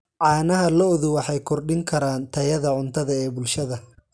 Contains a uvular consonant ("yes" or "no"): no